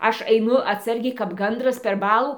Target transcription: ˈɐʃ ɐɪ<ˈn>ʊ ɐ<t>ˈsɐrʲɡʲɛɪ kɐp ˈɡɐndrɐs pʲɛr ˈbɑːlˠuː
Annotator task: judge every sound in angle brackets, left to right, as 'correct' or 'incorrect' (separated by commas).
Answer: correct, correct